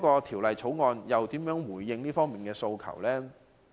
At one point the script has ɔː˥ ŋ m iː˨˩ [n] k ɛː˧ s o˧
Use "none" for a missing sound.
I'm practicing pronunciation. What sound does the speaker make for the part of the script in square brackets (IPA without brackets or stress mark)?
n